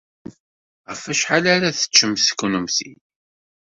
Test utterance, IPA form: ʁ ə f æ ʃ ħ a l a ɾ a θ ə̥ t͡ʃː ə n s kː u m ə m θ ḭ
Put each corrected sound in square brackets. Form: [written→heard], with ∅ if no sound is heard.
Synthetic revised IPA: ʁ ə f æ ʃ ħ a l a ɾ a θ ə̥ t͡ʃː ə [n→m] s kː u [m→n] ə m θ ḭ

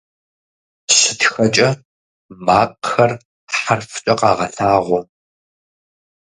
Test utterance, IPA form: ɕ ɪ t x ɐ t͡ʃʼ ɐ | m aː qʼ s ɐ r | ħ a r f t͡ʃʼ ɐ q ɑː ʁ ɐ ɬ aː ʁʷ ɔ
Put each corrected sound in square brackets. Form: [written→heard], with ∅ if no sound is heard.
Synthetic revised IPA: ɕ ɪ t x ɐ t͡ʃʼ ɐ | m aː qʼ [s→x] ɐ r | ħ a r f t͡ʃʼ ɐ q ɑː ʁ ɐ ɬ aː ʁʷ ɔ

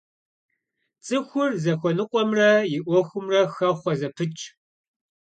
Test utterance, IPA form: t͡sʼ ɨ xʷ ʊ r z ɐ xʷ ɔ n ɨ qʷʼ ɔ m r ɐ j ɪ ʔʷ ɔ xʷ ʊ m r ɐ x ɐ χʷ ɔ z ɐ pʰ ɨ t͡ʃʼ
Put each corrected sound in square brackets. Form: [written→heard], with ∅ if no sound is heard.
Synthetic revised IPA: t͡sʼ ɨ xʷ ʊ r z ɐ xʷ ɔ n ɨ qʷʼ ɔ m r ɐ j ɪ ʔʷ ɔ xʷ ʊ m r ɐ x ɐ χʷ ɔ z ɐ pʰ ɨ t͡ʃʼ

